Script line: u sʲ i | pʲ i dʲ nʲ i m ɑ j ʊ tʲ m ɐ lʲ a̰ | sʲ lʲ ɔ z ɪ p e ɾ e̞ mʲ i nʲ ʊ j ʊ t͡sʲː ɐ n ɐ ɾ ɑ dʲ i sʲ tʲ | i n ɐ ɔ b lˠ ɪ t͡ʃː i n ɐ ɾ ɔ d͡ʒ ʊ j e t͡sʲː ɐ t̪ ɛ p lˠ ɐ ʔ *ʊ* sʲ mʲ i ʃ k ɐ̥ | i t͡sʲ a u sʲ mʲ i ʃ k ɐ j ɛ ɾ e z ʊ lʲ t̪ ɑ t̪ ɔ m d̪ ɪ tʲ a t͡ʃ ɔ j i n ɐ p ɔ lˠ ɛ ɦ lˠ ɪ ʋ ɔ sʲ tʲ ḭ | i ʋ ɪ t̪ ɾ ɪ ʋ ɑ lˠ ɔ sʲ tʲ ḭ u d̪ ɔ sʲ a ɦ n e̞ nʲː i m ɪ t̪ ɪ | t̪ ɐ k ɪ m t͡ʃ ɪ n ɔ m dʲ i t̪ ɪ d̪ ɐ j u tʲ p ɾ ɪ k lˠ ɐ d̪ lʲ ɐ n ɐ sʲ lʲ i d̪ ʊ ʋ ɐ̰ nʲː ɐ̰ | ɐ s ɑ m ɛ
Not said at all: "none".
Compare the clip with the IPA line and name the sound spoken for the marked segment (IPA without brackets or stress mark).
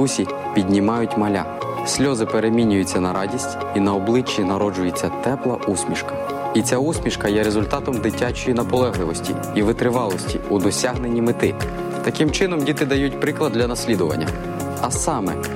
u